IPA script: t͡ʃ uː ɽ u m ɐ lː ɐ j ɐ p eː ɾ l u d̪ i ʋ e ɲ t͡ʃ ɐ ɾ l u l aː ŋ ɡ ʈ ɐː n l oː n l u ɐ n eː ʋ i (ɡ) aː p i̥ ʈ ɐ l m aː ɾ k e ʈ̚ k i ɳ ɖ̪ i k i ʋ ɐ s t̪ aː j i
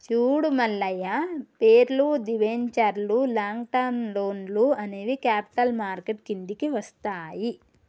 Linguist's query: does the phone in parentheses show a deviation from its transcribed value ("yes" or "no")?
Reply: yes